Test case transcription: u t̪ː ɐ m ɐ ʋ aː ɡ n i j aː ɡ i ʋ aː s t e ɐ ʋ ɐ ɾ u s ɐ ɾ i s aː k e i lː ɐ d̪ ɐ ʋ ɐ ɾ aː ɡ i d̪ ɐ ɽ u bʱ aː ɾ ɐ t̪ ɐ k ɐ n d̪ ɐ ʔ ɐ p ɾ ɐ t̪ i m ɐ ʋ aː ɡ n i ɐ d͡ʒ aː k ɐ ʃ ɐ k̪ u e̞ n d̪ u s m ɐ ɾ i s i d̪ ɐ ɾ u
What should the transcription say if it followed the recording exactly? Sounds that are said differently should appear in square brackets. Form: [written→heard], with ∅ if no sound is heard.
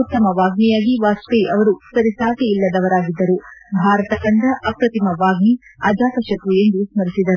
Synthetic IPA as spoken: u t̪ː ɐ m ɐ ʋ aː ɡ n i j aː ɡ i ʋ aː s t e ɐ ʋ ɐ ɾ u s ɐ ɾ i s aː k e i lː ɐ d̪ ɐ ʋ ɐ ɾ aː ɡ i [d̪→d̪ː] ɐ [ɽ→ɾ] u bʱ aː ɾ ɐ t̪ ɐ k ɐ n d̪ ɐ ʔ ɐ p ɾ ɐ t̪ i m ɐ ʋ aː ɡ n i ɐ d͡ʒ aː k ɐ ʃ ɐ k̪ u e̞ n d̪ u s m ɐ ɾ i s i d̪ ɐ ɾ u